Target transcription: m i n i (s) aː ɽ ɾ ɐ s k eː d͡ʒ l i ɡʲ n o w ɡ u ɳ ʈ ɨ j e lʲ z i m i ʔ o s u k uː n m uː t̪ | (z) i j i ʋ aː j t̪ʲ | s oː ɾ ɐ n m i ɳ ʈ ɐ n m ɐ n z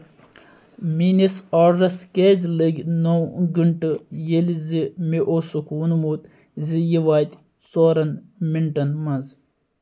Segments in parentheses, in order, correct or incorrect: correct, correct

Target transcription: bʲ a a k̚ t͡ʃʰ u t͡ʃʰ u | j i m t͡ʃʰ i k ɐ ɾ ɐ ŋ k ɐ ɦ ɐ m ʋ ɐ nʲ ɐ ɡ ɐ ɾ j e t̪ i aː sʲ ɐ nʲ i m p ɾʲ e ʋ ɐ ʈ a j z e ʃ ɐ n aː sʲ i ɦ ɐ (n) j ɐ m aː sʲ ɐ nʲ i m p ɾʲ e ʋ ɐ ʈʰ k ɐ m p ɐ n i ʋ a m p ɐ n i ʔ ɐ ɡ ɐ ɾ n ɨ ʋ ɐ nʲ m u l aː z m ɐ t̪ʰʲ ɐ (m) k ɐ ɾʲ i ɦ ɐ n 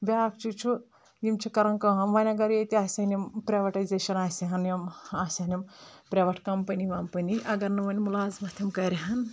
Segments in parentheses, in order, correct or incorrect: correct, correct

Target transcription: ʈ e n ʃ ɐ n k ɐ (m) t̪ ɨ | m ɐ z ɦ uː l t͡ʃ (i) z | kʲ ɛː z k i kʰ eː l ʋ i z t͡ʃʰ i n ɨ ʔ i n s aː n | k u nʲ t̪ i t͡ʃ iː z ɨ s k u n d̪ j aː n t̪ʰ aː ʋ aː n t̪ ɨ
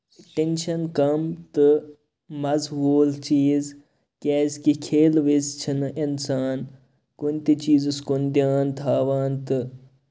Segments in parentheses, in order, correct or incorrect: correct, incorrect

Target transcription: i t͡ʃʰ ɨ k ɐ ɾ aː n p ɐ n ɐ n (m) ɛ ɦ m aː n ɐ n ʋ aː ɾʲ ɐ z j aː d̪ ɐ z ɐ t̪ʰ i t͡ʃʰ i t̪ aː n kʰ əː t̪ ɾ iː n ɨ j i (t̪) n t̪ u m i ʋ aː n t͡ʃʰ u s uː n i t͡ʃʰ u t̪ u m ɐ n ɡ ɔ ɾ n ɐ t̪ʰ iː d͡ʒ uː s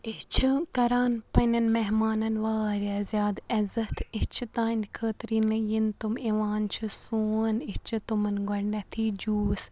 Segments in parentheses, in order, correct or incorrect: correct, incorrect

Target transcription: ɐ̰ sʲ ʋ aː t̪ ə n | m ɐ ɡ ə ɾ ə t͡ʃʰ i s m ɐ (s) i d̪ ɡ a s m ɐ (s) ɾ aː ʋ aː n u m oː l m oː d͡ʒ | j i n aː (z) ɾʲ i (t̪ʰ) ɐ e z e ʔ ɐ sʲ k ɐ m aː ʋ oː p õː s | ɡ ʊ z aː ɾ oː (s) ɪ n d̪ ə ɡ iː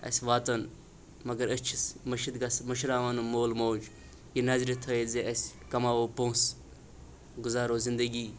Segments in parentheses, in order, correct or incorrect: incorrect, incorrect, correct, correct, incorrect

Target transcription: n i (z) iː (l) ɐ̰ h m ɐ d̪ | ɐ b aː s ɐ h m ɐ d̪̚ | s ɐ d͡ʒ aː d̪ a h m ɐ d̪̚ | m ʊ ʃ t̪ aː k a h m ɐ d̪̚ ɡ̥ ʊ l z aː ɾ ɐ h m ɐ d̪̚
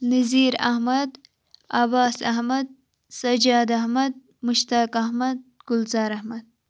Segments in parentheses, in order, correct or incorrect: correct, incorrect

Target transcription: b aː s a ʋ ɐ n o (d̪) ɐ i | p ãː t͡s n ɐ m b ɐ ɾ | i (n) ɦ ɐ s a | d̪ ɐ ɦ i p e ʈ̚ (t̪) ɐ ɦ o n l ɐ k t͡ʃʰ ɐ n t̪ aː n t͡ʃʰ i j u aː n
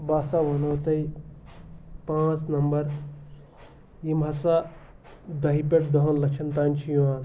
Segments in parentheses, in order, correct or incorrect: incorrect, incorrect, incorrect

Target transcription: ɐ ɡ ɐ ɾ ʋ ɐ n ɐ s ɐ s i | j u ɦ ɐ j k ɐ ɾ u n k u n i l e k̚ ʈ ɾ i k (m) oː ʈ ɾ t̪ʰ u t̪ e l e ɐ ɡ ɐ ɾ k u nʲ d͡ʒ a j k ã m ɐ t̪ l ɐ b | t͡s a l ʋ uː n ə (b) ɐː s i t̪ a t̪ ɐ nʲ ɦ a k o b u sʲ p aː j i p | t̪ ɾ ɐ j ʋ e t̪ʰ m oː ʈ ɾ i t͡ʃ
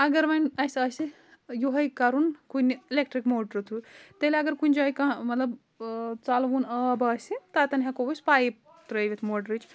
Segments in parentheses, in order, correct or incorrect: correct, correct

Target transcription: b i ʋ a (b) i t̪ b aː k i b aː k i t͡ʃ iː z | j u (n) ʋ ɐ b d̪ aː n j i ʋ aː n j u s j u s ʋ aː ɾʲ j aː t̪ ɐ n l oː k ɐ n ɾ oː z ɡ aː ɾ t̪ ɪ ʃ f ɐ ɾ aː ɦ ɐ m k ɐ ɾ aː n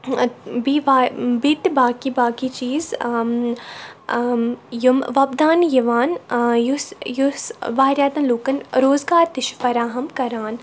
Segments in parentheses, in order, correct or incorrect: correct, incorrect

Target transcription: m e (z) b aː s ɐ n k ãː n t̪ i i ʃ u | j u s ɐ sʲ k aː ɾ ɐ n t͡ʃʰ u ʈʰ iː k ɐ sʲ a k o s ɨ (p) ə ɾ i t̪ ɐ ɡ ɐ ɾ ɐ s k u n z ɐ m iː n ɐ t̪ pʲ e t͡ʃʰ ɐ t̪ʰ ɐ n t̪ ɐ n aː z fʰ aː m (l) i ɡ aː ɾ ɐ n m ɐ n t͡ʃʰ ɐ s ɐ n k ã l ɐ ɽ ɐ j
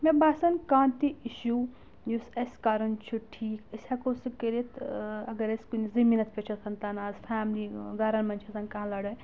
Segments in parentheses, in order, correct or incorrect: incorrect, incorrect, correct

